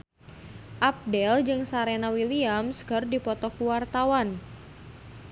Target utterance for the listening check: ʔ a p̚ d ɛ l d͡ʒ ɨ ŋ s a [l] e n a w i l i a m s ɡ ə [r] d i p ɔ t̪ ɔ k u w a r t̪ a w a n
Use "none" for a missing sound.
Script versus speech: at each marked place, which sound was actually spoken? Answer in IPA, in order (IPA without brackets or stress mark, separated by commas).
ɾ, r